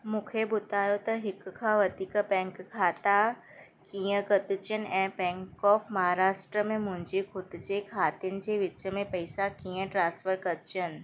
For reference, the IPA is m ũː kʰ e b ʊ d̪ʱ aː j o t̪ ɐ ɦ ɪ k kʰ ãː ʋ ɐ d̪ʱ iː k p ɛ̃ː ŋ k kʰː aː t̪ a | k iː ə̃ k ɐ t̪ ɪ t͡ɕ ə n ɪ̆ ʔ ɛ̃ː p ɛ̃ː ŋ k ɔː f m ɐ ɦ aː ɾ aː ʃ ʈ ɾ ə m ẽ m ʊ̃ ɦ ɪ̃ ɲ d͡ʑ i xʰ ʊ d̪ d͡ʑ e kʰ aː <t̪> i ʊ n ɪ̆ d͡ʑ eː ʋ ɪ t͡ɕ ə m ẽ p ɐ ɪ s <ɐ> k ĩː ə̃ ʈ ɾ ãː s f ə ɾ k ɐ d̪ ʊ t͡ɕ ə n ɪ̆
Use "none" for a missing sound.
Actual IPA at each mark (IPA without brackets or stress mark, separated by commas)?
t̪, a